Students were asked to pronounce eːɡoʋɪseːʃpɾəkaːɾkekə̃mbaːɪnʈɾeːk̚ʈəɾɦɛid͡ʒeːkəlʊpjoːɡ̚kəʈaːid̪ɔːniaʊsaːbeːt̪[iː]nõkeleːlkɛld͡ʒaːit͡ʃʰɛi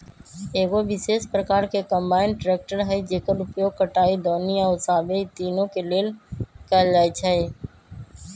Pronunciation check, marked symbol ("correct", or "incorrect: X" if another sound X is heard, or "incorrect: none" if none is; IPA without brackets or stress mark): correct